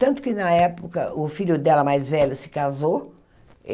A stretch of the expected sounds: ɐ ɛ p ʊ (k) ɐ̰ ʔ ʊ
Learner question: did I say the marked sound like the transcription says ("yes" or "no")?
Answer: yes